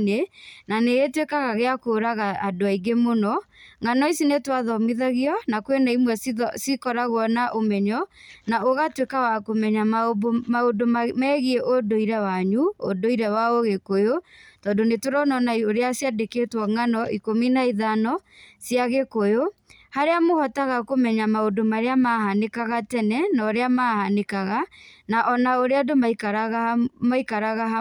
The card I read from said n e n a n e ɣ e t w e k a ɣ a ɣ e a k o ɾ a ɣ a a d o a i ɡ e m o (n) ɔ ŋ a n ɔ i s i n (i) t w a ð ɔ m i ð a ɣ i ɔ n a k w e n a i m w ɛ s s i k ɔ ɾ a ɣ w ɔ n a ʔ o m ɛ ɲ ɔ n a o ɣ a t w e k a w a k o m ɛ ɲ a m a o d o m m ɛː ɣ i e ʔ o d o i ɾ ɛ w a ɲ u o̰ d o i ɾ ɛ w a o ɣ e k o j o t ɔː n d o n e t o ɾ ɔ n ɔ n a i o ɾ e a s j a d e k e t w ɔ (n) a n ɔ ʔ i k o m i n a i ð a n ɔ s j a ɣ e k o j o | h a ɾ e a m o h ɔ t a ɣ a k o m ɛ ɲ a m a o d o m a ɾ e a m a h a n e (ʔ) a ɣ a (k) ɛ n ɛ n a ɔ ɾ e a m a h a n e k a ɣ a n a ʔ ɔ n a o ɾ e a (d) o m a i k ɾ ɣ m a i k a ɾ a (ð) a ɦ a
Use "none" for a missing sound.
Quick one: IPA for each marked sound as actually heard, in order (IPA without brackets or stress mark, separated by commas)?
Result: n, e, ŋ, k, t, d, ɣ